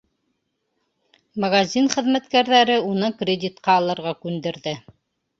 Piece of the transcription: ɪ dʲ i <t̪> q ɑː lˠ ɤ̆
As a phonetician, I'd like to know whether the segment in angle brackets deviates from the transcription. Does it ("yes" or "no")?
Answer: no